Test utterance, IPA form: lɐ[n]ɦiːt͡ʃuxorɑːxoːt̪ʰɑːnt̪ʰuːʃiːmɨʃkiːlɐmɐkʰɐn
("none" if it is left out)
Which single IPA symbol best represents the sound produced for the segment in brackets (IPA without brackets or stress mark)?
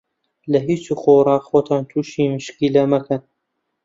none